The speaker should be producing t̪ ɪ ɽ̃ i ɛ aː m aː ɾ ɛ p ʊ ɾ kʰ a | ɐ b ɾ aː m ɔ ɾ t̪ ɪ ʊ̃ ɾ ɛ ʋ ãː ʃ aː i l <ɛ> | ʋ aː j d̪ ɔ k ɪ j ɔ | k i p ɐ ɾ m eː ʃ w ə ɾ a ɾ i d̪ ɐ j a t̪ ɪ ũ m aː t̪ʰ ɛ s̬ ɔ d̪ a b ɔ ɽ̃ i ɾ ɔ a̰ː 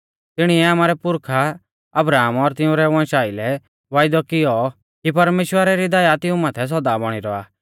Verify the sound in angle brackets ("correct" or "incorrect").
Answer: correct